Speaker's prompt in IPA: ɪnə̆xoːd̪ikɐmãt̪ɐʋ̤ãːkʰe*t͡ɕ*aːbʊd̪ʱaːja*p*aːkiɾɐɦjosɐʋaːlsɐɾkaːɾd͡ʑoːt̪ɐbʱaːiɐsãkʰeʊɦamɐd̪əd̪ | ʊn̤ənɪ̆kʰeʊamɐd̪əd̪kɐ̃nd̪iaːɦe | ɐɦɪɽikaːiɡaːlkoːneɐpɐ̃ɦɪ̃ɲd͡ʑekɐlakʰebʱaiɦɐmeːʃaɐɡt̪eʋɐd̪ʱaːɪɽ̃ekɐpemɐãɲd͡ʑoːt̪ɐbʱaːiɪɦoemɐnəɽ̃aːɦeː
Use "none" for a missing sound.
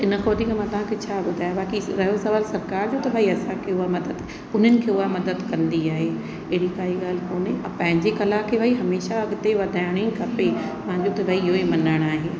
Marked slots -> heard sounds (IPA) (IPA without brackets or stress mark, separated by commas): t͡ɕʰ, b